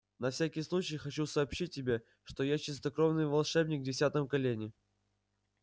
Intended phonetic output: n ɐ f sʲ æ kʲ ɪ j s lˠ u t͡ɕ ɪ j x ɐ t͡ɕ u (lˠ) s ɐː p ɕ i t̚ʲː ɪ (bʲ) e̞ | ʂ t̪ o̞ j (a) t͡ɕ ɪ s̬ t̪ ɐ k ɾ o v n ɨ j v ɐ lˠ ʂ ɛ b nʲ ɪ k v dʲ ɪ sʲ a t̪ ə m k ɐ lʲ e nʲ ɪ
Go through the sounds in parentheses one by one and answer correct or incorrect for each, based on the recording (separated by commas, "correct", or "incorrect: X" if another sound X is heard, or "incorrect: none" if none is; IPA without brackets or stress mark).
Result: incorrect: none, correct, correct